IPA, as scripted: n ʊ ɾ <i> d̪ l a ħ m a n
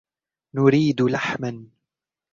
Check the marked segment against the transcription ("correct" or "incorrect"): incorrect